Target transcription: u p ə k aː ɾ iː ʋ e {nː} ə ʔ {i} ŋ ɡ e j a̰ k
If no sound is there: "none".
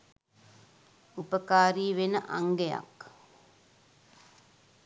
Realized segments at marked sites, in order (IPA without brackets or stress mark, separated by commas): n, a